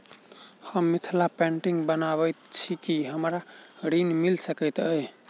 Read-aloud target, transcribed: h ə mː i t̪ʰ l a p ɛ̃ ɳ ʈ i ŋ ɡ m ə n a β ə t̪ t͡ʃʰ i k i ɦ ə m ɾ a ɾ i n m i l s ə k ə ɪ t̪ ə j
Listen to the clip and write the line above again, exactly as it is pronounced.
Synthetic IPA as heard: h ə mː i t̪ʰ l a p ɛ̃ ɳ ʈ i ŋ ɡ b ə n a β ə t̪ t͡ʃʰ i k i ɦ ə m ɾ a ɾ i n m i l s ə k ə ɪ t̪ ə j